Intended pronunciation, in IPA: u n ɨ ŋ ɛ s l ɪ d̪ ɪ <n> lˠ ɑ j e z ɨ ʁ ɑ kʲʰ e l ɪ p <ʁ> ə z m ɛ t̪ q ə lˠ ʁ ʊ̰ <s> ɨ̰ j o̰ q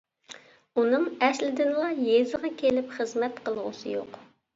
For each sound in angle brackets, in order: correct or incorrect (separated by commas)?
correct, incorrect, correct